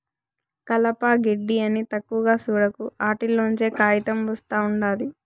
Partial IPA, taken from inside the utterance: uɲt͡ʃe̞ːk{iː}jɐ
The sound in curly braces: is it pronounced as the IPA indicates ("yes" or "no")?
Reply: no